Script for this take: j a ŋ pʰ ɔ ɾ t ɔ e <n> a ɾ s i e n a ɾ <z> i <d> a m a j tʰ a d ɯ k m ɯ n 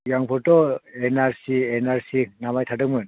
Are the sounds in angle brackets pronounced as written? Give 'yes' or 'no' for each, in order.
yes, no, no

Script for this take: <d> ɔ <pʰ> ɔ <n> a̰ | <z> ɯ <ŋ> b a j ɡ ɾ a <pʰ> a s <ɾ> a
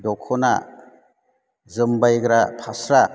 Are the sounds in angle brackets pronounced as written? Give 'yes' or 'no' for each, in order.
yes, no, yes, yes, no, yes, yes

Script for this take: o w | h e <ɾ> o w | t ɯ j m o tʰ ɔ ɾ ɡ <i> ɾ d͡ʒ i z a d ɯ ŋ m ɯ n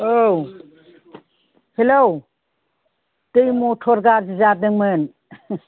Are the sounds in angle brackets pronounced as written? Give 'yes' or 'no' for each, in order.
no, no

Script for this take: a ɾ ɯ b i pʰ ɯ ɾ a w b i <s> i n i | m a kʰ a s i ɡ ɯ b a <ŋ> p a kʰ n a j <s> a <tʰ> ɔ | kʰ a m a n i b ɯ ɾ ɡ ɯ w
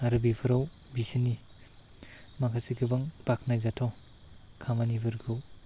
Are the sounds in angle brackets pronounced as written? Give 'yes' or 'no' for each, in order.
yes, yes, no, yes

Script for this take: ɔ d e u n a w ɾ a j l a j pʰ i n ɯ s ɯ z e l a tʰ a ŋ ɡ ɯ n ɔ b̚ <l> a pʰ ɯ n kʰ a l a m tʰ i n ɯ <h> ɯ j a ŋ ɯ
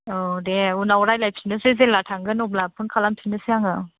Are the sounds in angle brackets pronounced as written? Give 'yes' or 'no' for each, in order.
yes, no

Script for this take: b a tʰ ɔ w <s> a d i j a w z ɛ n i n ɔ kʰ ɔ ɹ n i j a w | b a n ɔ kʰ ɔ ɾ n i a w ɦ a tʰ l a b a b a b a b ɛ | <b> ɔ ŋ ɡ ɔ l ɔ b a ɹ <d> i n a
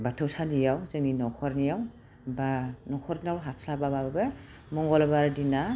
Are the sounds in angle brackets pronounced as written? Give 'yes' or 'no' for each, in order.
yes, no, yes

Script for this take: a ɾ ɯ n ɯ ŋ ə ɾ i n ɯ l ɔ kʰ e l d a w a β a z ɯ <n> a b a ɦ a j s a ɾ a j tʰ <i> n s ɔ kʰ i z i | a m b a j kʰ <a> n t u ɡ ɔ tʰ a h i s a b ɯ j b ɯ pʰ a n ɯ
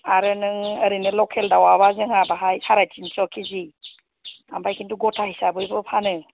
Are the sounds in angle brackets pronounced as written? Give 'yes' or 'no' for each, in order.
no, yes, no

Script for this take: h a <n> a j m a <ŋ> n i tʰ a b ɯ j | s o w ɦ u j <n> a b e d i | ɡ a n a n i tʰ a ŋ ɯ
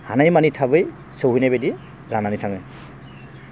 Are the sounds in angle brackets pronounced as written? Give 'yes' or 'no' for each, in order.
yes, no, yes

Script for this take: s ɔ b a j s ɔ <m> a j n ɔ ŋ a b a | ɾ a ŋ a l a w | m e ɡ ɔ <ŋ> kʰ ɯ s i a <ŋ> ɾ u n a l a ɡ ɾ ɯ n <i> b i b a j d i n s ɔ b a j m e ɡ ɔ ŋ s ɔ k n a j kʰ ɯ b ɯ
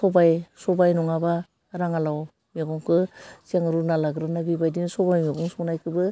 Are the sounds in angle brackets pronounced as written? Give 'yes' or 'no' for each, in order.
no, yes, yes, no

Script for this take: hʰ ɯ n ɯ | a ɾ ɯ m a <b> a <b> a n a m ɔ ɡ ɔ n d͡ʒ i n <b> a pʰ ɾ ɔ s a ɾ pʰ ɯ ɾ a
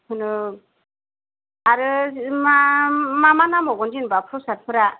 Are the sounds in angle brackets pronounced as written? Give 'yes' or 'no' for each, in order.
no, no, yes

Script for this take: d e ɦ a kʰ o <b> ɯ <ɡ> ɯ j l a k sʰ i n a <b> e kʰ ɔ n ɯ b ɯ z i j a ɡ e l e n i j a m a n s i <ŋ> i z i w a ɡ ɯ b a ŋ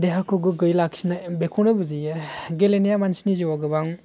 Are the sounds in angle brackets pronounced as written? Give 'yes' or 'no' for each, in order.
no, yes, yes, no

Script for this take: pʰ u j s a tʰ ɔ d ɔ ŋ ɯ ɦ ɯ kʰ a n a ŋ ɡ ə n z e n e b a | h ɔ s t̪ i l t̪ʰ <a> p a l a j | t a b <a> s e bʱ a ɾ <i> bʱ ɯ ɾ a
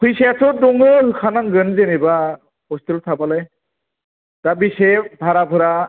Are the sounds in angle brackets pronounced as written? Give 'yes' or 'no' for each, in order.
yes, no, no

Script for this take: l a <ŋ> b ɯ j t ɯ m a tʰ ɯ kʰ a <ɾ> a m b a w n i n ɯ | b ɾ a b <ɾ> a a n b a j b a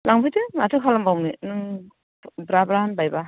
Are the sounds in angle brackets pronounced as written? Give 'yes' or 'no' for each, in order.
yes, no, yes

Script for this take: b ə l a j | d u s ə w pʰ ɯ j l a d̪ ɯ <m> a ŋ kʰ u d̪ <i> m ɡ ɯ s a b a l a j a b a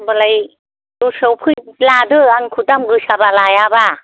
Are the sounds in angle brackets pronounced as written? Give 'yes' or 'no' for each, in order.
no, no

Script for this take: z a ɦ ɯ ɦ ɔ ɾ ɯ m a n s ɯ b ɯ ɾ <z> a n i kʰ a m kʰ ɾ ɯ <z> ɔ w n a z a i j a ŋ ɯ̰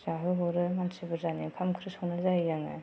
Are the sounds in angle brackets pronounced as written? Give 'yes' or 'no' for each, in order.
yes, no

